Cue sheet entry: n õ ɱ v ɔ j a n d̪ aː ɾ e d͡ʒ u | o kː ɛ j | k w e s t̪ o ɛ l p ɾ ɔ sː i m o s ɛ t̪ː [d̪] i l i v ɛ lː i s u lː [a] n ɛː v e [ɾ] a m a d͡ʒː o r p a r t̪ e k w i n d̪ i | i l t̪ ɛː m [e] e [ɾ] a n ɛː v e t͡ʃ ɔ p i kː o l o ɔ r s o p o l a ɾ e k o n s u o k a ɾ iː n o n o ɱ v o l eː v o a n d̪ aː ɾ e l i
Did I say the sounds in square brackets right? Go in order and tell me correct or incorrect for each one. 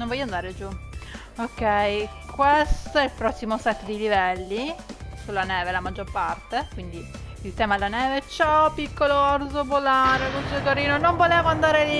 correct, correct, incorrect: l, incorrect: a, incorrect: l

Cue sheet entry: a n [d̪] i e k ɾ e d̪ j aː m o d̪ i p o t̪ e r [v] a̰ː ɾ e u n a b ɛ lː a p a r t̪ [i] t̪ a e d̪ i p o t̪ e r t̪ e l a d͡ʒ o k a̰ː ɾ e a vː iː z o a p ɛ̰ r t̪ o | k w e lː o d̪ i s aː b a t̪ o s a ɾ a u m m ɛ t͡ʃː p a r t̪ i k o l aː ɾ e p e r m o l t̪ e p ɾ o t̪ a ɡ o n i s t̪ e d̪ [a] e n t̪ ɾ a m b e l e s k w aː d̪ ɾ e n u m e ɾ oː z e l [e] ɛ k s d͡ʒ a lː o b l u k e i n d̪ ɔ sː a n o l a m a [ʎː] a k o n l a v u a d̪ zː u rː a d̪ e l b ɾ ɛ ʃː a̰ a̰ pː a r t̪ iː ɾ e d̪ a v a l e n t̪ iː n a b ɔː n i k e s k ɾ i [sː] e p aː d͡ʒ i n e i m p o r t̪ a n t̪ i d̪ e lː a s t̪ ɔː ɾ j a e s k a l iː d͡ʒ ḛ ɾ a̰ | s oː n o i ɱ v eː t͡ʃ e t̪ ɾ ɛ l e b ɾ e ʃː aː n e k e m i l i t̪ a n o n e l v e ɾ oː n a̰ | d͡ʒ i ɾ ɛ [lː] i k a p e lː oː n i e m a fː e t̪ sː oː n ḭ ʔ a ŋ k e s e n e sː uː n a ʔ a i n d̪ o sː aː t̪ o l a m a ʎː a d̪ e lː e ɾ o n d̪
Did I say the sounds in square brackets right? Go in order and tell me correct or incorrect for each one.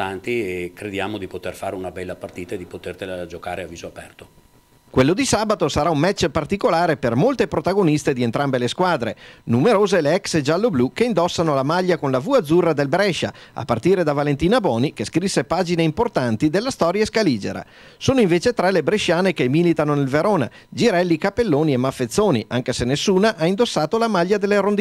incorrect: t̪, incorrect: f, incorrect: iː, incorrect: i, correct, correct, correct, correct

